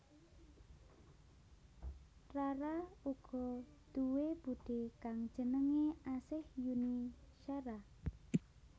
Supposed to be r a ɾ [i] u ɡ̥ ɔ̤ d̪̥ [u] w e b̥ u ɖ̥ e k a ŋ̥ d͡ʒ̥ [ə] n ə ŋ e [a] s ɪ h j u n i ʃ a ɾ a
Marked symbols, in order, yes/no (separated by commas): no, yes, yes, yes